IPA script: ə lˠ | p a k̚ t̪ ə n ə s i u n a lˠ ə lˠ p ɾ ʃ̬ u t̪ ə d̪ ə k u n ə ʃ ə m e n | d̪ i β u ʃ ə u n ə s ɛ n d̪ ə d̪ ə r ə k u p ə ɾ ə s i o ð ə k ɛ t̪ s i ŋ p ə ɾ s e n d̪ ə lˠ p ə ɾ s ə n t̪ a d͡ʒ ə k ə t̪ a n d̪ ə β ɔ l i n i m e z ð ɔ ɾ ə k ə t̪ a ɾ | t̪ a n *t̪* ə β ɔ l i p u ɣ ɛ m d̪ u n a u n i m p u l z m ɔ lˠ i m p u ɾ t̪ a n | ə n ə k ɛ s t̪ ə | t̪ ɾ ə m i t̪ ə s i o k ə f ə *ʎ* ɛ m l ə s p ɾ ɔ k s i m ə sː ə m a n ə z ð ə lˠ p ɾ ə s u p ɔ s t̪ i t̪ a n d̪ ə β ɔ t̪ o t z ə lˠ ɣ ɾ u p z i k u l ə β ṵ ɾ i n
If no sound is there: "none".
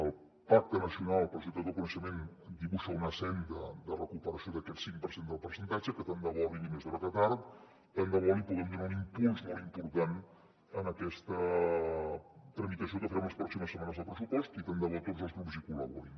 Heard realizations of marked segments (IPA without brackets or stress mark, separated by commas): d̪, ɾ